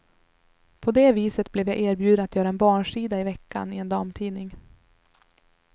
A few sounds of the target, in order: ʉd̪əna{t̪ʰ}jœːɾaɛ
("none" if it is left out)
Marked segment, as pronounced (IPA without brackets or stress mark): t̪